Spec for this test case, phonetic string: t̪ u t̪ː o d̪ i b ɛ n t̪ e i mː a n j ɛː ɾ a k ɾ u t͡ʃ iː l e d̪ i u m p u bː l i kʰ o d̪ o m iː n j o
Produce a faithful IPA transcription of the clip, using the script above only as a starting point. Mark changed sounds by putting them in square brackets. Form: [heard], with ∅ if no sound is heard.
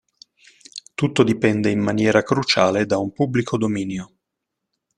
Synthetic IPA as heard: t̪ u t̪ː o d̪ i [p] ɛ n [d̪] e i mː a n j ɛː ɾ a k ɾ u t͡ʃ [aː] l e d̪ [a] u m p u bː l i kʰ o d̪ o m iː n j o

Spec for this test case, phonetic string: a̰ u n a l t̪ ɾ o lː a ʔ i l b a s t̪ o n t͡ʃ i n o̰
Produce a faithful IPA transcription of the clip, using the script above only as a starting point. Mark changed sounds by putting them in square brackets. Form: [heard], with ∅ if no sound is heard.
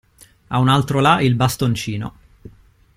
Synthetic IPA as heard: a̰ u n a l t̪ ɾ o [l] a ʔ i l b a s t̪ o n t͡ʃ [iː] n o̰

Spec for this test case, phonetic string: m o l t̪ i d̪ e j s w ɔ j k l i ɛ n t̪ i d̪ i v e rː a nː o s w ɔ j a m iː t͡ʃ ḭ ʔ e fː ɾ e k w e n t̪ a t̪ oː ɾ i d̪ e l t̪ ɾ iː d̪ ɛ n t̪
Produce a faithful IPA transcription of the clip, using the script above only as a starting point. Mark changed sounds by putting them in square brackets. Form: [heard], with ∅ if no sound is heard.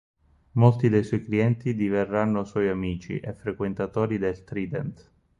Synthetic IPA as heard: m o l t̪ i d̪ e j s w ɔ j k l i ɛ n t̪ i d̪ i v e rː a nː o s w ɔ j a m iː t͡ʃ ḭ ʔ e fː ɾ e k w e n t̪ a t̪ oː ɾ i d̪ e l t̪ ɾ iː d̪ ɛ n t̪

